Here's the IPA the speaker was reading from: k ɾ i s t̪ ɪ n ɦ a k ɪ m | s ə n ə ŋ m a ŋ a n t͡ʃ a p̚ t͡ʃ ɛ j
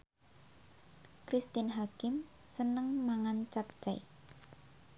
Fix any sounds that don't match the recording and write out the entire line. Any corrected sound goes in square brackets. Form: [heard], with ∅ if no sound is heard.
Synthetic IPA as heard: k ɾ i s t̪ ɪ n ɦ a k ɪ m | s ə n ə ŋ m a ŋ a n t͡ʃ a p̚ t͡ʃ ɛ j